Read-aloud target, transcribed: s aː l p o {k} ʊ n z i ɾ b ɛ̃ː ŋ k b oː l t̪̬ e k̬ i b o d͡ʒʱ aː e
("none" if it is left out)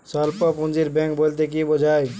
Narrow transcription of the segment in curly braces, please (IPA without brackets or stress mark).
p